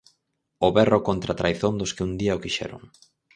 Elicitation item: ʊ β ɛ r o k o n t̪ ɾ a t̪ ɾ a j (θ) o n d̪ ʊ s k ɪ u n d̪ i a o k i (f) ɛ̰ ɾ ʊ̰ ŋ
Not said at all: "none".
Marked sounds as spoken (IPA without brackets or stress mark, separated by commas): θ, ʃ